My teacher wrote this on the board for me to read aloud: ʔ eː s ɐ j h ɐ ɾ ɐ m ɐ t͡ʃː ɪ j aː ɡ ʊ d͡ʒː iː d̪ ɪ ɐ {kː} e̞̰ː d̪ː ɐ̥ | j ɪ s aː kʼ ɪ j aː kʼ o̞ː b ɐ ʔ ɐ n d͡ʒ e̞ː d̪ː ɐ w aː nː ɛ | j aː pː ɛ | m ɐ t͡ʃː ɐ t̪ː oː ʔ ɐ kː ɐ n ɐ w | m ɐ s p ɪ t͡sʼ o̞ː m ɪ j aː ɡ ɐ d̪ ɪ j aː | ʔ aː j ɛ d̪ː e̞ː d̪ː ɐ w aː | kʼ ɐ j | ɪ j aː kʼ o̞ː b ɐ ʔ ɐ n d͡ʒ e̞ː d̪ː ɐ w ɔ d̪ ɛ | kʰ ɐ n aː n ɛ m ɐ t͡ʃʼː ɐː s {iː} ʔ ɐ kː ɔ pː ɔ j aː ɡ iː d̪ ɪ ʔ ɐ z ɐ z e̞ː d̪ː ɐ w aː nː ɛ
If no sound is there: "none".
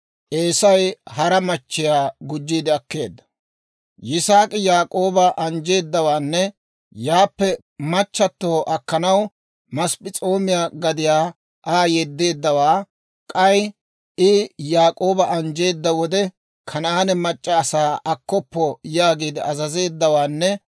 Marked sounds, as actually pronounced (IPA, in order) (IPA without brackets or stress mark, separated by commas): kː, aː